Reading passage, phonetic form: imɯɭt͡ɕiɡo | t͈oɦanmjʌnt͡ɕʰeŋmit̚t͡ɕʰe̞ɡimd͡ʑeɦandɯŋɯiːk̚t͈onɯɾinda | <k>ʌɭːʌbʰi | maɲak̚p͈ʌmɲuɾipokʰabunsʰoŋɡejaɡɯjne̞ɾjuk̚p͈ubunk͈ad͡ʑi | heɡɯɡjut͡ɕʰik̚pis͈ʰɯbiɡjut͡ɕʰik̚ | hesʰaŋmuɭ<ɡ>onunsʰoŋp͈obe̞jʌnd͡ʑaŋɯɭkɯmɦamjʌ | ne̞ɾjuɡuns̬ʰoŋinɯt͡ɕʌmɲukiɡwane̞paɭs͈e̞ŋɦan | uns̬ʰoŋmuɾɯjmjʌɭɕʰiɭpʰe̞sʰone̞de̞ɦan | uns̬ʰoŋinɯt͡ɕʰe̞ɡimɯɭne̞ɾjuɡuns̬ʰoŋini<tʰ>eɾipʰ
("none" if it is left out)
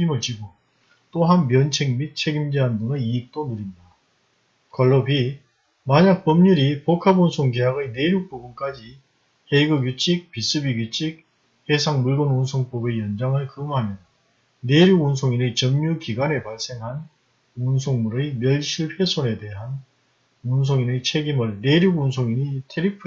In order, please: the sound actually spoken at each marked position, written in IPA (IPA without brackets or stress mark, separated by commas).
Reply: k, ɡ, tʰ